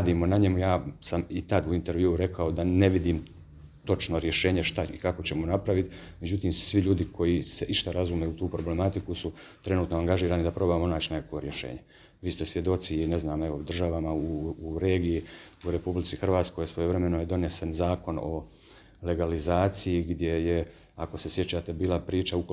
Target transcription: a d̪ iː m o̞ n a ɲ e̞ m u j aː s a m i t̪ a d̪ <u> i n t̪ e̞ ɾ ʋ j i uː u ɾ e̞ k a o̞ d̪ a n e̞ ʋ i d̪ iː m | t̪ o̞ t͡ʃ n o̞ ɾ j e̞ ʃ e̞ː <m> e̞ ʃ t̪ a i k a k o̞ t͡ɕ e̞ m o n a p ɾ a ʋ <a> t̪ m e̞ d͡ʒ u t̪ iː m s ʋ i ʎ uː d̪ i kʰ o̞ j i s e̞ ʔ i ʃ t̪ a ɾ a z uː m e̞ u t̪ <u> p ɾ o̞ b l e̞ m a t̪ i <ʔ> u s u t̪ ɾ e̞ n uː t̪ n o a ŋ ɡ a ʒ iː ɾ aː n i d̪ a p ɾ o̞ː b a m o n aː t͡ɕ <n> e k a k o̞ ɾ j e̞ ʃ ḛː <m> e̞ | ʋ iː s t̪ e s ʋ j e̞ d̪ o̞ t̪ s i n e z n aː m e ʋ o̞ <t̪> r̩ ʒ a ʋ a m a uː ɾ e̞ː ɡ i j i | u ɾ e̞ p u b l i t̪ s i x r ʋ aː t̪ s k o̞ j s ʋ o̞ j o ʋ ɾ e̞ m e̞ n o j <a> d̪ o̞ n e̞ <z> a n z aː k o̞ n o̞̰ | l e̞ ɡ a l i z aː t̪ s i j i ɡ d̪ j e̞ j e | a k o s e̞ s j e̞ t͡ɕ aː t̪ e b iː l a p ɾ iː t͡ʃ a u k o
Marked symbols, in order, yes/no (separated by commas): yes, no, no, no, no, yes, no, no, no, no